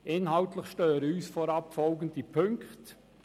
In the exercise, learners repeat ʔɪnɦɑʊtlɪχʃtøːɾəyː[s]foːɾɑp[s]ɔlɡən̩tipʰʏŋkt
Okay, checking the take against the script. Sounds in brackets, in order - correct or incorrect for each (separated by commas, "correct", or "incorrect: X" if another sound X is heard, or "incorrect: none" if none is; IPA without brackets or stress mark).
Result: correct, incorrect: f